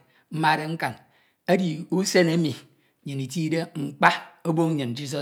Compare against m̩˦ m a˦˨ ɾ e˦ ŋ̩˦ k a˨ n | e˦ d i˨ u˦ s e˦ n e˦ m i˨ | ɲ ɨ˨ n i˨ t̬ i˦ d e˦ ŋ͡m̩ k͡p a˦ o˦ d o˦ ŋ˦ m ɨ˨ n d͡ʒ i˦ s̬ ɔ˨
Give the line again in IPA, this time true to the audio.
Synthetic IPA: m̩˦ m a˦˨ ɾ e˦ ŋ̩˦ k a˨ n | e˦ d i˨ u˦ s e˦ n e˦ m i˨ | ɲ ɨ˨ n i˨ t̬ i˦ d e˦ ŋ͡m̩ k͡p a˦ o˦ b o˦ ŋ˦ ɲ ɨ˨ n d͡ʒ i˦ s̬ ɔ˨